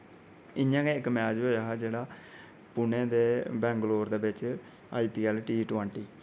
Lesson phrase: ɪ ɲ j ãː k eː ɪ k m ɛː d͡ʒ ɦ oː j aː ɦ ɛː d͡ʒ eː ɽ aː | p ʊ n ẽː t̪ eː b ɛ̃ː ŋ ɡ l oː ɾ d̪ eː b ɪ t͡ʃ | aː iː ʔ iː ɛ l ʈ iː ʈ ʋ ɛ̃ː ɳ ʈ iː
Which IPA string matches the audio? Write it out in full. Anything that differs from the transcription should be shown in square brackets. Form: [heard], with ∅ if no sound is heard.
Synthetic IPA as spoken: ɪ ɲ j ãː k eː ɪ k m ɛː d͡ʒ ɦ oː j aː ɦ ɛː d͡ʒ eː ɽ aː | p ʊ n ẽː [d̪] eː b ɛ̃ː ŋ ɡ l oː ɾ d̪ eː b ɪ t͡ʃ | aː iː [p] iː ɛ l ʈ iː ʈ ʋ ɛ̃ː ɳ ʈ iː